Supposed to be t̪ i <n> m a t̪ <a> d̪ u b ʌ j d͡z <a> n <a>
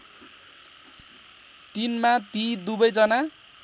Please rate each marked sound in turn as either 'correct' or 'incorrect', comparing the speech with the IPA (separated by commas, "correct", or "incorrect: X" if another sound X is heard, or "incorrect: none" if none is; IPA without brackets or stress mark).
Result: correct, incorrect: i, incorrect: ʌ, correct